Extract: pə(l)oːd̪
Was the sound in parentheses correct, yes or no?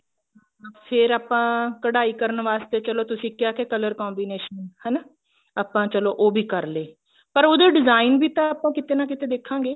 no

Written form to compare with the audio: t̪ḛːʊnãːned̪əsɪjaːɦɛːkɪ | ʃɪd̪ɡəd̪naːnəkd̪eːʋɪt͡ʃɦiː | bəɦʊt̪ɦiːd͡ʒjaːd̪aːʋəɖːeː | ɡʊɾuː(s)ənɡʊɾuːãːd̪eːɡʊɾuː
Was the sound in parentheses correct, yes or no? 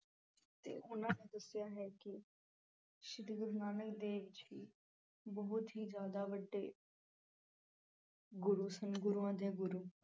yes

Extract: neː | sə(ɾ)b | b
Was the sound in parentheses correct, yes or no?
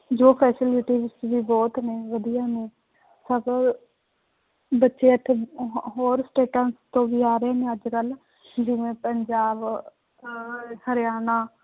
no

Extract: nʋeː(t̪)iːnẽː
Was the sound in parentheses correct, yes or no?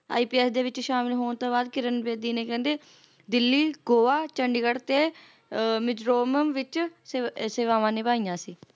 no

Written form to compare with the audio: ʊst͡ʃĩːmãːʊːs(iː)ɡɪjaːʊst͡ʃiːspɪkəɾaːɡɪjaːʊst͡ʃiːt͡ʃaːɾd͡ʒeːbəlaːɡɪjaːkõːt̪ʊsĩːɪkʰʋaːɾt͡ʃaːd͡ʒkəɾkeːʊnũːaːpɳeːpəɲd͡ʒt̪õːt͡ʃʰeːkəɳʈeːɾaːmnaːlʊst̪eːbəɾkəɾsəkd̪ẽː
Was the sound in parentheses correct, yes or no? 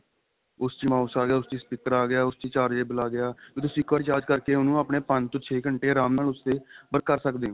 no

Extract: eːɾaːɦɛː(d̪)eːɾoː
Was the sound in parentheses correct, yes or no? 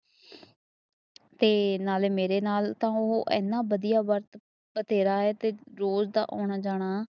no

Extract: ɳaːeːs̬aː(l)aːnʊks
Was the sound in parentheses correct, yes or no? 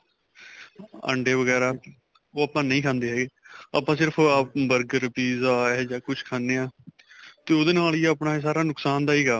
no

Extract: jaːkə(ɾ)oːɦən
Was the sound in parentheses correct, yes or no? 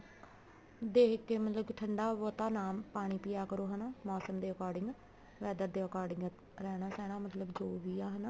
yes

